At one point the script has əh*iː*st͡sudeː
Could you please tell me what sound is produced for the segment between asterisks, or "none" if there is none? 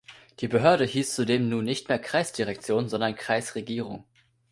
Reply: iː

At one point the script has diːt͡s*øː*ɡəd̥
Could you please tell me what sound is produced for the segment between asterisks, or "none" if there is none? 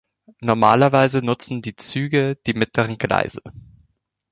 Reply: yː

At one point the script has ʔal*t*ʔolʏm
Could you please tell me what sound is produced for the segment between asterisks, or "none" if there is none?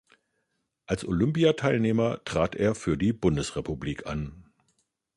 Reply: s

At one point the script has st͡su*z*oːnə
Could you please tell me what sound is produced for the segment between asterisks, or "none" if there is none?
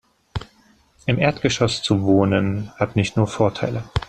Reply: v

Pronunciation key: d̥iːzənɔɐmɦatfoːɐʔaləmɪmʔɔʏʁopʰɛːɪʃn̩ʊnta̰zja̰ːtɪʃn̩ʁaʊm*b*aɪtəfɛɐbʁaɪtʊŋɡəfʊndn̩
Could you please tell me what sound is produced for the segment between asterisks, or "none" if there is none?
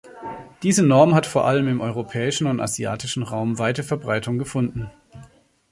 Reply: v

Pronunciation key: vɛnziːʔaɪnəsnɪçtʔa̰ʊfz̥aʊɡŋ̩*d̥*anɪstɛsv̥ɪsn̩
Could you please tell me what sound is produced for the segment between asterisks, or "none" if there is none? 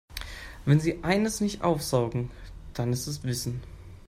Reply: d̥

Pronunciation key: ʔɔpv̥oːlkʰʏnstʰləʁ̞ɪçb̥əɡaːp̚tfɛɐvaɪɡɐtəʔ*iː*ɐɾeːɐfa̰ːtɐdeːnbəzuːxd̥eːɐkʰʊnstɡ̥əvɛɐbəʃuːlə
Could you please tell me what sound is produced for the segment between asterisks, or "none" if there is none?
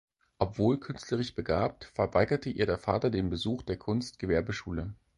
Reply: iː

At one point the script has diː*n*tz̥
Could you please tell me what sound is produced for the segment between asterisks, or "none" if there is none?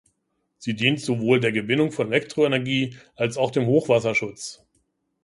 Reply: n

